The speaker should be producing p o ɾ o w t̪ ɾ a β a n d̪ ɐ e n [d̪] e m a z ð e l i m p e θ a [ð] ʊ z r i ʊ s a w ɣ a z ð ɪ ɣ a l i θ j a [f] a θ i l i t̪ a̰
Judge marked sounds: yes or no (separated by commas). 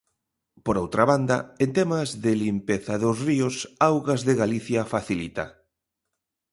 no, yes, yes